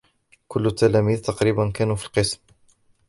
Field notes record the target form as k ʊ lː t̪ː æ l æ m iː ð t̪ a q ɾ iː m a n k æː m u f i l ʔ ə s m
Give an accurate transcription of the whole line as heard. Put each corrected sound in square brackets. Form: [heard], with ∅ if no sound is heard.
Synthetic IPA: k ʊ lː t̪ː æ l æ m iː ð t̪ [ɑ] q ɾ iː [b] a n k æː [n] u f i l [q] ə s m